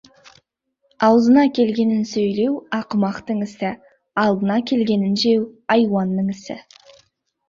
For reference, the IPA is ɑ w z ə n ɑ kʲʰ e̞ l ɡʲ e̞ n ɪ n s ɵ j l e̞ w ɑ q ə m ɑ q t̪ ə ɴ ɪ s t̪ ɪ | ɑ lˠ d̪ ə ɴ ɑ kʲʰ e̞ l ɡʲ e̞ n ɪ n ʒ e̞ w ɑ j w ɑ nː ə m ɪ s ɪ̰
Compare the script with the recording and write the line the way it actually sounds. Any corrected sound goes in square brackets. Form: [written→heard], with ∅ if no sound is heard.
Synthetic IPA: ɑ w z ə n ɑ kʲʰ e̞ l ɡʲ e̞ n ɪ n s ɵ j l e̞ w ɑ q ə m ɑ q t̪ ə ɴ ɪ s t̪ ɪ | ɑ lˠ d̪ ə [ɴ→n] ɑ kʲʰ e̞ l ɡʲ e̞ n ɪ n ʒ e̞ w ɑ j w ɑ nː ə [m→ɴ] ɪ s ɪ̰